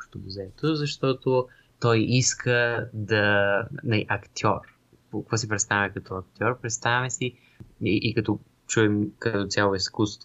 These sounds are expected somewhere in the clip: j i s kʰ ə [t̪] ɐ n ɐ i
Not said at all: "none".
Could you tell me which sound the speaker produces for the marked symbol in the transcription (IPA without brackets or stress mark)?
d̪